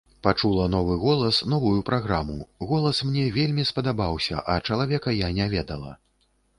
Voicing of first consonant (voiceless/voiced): voiceless